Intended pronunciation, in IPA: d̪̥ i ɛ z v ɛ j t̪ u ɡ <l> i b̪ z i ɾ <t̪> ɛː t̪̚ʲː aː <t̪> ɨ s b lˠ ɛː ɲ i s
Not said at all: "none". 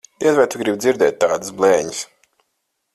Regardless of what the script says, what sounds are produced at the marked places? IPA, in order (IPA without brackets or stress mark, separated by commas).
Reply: ɾ, d̪, d̪